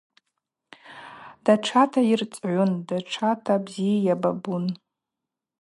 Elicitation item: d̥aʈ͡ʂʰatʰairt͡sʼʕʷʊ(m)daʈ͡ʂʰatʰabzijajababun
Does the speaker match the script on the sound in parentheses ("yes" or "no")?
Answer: no